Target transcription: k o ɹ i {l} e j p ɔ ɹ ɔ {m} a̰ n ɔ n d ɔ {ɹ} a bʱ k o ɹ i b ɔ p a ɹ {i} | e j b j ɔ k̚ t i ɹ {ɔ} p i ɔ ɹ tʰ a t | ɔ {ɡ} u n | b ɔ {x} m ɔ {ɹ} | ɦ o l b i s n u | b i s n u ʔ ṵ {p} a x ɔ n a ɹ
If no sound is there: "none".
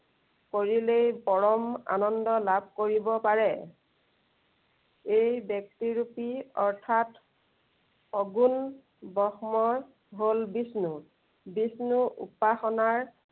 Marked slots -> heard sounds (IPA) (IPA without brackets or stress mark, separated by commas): l, m, l, ɛ, u, ɡ, x, ɹ, p